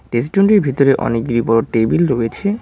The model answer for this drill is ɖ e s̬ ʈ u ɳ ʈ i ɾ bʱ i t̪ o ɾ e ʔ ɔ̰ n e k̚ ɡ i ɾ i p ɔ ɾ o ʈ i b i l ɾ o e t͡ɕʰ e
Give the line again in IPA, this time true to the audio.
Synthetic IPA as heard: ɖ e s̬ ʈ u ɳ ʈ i ɾ bʱ i t̪ o ɾ e ʔ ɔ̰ n e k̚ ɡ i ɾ i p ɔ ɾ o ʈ e b i l ɾ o e t͡ɕʰ e